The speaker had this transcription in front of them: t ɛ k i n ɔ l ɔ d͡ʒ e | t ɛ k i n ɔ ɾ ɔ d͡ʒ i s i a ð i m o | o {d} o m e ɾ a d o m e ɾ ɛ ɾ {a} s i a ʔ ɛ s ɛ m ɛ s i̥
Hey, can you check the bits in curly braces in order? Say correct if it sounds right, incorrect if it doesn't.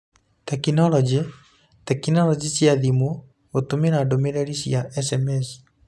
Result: incorrect: t, incorrect: i

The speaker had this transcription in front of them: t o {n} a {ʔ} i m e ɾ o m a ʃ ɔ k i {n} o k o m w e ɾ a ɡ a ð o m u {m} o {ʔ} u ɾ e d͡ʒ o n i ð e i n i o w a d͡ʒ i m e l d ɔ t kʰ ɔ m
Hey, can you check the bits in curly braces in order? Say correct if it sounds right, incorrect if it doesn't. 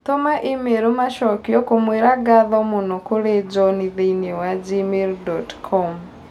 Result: incorrect: m, correct, incorrect: none, incorrect: n, incorrect: k

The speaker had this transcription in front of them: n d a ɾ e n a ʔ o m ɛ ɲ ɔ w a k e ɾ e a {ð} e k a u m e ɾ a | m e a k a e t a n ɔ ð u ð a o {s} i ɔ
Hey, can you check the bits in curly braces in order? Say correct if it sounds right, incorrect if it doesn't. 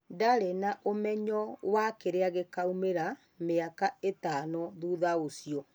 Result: incorrect: ɣ, correct

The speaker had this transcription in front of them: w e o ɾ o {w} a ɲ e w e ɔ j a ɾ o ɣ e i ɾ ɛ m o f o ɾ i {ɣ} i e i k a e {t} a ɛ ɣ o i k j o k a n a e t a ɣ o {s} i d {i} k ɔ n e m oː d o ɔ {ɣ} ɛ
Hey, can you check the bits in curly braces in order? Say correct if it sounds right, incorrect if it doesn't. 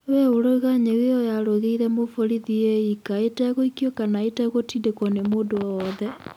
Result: incorrect: ɣ, incorrect: ð, correct, incorrect: t, incorrect: e, incorrect: ð

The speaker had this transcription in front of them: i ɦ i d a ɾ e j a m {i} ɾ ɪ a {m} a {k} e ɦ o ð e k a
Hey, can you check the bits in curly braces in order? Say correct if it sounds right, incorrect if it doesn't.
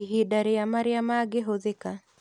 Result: incorrect: a, correct, incorrect: ɡ

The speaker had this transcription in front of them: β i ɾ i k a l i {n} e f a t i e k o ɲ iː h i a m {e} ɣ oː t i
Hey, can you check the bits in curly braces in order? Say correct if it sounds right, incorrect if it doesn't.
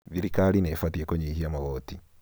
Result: correct, incorrect: a

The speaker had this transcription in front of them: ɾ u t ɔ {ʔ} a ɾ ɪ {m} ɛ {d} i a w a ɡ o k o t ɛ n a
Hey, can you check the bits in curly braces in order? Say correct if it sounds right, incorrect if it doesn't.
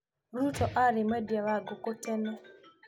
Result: correct, correct, correct

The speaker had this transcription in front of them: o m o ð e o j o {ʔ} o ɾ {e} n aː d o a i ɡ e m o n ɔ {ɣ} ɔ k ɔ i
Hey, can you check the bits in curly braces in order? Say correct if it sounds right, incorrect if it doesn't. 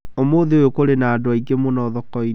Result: incorrect: k, correct, incorrect: ð

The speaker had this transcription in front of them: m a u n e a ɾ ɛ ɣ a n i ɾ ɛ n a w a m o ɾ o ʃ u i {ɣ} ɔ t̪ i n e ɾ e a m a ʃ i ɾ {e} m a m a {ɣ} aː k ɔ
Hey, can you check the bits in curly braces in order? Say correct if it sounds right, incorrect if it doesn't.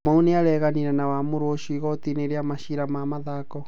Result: correct, incorrect: a, incorrect: ð

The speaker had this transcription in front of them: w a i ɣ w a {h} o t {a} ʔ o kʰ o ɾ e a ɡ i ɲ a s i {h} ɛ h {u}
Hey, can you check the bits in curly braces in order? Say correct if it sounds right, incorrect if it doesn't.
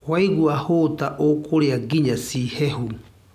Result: correct, correct, correct, correct

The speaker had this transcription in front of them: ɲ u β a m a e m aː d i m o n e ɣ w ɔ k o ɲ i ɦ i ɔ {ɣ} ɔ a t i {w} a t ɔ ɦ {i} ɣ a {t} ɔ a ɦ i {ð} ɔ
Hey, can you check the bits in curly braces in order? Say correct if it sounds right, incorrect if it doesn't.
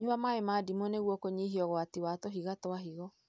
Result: correct, correct, correct, correct, incorrect: ɣ

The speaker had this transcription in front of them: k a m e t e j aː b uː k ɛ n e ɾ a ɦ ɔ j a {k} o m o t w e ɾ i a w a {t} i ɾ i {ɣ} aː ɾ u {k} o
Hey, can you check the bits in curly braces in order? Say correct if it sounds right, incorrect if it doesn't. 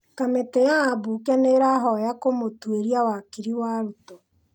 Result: correct, incorrect: k, incorrect: w, incorrect: t

